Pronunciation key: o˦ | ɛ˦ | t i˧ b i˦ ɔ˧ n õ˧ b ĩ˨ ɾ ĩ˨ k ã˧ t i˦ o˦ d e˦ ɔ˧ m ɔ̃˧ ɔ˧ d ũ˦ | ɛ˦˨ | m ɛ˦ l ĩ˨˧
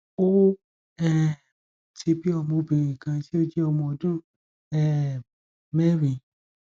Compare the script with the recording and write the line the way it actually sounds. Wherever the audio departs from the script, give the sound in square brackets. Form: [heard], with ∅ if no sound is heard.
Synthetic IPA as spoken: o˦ | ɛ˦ | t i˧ b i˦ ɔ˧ [m] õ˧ b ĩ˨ ɾ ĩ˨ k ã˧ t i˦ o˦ [d͡ʒ] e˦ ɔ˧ m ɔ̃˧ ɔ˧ d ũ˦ | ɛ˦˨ | m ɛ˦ [ɾ] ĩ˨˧